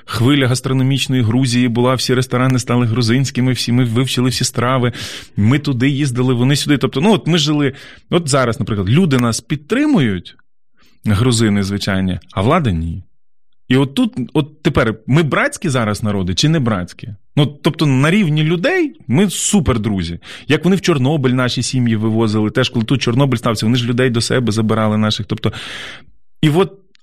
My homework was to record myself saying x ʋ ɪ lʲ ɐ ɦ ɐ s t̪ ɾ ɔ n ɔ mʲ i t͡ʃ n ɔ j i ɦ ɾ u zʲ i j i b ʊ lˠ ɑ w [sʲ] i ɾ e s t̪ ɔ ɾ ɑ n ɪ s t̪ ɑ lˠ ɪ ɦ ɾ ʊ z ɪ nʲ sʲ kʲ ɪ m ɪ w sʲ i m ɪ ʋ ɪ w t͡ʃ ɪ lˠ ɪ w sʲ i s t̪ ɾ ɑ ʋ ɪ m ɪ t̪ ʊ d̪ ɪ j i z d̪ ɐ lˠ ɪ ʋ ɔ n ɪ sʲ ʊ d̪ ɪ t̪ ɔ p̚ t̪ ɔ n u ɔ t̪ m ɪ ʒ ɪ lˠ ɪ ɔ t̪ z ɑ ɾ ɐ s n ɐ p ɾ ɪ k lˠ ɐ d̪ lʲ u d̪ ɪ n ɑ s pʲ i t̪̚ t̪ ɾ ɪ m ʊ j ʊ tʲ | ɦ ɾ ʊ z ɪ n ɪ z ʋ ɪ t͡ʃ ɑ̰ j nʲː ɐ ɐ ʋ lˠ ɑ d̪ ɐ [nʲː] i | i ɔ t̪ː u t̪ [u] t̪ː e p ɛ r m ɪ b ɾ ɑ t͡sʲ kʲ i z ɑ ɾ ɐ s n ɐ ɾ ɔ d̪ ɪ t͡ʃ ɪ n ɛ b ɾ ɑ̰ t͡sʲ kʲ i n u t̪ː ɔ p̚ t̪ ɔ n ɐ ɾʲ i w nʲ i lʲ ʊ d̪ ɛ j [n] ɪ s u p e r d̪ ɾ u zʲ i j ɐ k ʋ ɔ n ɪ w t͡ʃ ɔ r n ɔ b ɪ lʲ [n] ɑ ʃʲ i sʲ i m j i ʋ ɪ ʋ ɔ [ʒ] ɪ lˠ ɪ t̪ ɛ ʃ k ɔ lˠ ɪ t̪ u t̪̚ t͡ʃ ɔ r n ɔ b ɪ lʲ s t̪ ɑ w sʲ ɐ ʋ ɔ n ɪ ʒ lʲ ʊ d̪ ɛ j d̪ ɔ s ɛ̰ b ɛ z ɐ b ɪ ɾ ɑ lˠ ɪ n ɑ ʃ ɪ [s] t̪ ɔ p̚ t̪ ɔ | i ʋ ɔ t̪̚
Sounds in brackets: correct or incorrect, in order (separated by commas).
correct, incorrect, incorrect, incorrect, correct, incorrect, incorrect